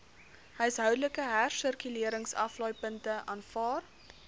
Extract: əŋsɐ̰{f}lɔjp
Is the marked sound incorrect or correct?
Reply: correct